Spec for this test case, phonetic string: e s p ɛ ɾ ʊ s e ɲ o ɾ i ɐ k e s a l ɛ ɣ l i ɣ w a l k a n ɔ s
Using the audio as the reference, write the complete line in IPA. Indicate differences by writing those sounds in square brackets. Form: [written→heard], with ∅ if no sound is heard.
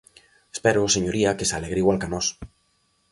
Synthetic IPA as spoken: e s p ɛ ɾ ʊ s e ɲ o ɾ i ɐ k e s a l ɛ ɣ [l→ɾ] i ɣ w a l k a n ɔ s